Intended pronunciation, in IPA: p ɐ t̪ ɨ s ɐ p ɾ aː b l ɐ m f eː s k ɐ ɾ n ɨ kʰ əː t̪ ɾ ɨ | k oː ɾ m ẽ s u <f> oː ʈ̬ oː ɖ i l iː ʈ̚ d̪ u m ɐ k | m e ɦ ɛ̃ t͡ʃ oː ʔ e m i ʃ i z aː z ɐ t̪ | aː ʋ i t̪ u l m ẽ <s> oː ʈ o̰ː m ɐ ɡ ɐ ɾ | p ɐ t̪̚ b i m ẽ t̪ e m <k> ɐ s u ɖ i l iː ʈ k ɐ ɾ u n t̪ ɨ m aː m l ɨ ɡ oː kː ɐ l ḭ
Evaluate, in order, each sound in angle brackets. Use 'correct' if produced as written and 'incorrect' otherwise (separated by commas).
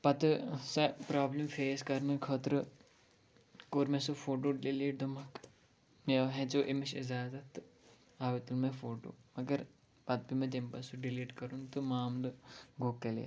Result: correct, incorrect, incorrect